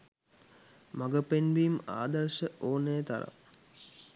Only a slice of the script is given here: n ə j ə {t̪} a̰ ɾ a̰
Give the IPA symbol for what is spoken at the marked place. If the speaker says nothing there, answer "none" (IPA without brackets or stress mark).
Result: t̪